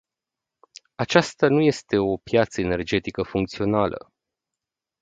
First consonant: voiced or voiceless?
voiceless